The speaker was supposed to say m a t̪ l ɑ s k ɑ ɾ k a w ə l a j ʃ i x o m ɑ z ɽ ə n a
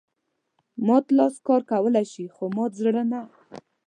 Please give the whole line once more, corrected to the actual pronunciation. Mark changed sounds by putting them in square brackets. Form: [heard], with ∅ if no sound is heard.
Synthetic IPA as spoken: m [ɑ] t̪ l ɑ s k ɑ ɾ k a w ə l a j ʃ i x o m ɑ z ɽ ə n a